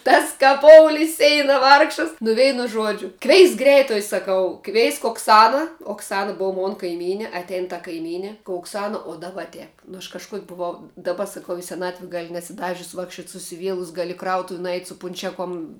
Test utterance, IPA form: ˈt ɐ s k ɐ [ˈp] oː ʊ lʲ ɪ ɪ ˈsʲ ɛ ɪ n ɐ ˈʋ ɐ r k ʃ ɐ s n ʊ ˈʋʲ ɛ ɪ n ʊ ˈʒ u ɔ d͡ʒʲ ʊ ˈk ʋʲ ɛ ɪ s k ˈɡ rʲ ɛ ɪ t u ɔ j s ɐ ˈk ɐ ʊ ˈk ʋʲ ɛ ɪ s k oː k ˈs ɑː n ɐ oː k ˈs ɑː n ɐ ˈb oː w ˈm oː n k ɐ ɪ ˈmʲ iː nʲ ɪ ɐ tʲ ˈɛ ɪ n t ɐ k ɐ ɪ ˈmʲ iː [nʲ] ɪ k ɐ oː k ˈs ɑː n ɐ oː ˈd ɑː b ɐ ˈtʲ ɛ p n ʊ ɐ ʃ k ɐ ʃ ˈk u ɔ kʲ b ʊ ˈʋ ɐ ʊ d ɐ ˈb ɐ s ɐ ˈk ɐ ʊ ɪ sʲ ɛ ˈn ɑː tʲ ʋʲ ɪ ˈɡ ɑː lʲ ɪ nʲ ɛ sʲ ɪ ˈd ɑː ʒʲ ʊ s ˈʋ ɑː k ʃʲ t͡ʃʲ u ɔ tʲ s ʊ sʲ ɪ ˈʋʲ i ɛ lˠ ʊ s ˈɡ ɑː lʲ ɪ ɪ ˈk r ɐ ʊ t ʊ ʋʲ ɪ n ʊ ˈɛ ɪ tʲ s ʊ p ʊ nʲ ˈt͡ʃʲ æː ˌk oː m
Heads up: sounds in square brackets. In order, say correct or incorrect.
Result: correct, correct

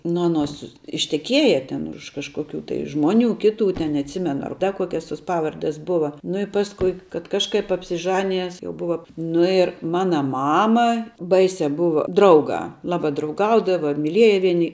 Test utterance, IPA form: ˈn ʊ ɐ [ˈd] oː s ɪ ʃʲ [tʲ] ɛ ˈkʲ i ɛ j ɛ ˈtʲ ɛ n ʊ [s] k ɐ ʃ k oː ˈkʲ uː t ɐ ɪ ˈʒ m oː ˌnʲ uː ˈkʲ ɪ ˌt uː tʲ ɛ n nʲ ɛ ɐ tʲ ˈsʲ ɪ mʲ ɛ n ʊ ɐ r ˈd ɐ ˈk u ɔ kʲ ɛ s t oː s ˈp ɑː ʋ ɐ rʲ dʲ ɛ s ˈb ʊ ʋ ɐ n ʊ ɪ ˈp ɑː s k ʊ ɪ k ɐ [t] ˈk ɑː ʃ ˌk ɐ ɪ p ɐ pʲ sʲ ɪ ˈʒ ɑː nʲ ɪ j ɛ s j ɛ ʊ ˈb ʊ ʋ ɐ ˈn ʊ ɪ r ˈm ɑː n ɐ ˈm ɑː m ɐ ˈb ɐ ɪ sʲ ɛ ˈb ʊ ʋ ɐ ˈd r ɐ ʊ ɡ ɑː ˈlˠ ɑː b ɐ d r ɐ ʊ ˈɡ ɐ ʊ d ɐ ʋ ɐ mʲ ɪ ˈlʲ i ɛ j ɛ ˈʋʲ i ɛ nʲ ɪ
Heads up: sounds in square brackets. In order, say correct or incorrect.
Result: incorrect: n, correct, incorrect: ʃ, correct

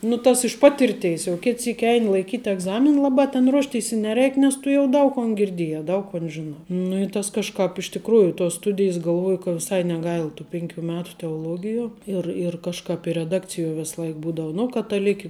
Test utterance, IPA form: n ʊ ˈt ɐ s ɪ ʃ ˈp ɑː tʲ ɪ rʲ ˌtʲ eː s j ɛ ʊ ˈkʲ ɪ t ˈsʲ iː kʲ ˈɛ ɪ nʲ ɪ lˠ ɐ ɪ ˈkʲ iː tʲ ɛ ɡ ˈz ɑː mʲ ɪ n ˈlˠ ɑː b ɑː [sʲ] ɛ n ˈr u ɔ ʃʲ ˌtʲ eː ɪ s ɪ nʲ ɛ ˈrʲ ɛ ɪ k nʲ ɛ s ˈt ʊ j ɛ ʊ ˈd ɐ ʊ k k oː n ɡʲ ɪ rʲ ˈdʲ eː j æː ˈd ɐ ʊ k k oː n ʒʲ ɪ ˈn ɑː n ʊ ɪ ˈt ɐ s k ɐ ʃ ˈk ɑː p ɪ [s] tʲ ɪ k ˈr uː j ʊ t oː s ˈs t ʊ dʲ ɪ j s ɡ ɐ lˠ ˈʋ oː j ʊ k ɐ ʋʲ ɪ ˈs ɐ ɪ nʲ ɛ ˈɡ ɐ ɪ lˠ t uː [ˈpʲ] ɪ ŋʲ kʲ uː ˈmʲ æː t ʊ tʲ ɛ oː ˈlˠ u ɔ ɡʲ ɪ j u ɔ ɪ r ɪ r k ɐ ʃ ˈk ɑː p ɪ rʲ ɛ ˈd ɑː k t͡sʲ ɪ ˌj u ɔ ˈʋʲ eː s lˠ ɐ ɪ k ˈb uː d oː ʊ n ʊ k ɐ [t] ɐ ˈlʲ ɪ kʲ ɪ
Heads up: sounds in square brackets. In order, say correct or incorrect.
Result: incorrect: tʲ, incorrect: ʃ, correct, correct

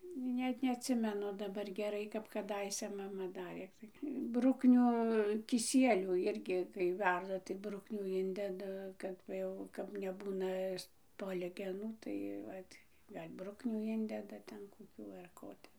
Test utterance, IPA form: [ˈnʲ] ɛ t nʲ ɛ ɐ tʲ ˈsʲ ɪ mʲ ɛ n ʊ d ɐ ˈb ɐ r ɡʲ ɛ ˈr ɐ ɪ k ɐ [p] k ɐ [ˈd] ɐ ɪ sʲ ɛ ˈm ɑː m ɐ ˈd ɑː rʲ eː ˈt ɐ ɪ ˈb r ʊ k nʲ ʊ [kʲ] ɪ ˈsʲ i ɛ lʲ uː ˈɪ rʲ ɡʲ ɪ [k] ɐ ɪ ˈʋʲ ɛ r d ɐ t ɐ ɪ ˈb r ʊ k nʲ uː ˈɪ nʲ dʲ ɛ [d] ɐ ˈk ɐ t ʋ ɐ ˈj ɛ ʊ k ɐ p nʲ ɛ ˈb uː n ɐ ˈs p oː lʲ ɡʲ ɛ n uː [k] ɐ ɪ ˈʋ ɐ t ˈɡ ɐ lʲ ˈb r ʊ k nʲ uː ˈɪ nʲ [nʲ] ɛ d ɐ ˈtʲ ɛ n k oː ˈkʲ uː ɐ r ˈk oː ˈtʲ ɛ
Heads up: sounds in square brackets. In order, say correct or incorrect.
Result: correct, correct, correct, correct, correct, correct, incorrect: t, incorrect: dʲ

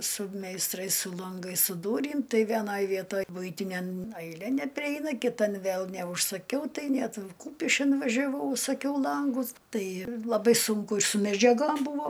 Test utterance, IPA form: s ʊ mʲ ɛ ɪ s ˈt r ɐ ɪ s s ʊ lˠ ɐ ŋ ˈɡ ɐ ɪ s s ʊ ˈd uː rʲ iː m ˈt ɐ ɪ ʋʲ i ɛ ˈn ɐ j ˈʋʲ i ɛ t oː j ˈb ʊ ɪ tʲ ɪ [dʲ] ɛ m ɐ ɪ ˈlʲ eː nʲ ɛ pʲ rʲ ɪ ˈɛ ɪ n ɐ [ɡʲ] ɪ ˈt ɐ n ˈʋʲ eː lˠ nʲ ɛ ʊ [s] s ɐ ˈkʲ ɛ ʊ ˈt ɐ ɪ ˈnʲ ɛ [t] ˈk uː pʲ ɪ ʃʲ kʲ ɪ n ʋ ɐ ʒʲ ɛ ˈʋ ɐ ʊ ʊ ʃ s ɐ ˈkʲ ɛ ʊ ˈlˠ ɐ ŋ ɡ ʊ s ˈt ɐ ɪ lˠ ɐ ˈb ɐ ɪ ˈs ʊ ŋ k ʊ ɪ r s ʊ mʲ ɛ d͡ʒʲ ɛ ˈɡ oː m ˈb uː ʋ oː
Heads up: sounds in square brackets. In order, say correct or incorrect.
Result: incorrect: nʲ, incorrect: kʲ, incorrect: ʃ, correct

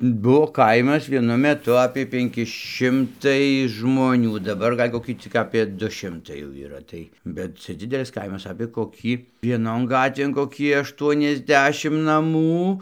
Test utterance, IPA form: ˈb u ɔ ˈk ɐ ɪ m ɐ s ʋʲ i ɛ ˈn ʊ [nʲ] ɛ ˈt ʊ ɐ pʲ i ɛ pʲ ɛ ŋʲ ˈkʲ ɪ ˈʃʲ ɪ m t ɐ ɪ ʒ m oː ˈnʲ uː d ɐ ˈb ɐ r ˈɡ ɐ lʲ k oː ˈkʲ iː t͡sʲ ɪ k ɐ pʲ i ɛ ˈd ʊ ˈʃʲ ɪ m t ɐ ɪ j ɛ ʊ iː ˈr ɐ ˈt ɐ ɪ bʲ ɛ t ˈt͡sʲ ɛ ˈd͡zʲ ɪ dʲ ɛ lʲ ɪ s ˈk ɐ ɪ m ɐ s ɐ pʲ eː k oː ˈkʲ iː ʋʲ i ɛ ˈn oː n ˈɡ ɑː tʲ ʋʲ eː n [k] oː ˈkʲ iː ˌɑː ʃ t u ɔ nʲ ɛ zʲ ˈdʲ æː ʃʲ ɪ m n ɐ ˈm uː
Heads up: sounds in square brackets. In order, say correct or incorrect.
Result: incorrect: mʲ, correct

